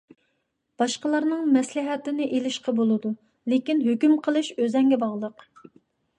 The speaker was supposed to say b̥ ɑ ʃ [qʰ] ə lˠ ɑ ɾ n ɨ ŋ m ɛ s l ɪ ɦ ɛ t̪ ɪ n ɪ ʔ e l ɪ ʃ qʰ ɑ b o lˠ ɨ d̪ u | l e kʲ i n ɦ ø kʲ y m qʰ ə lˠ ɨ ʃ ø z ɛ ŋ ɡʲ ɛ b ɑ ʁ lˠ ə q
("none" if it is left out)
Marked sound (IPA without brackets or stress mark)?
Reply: q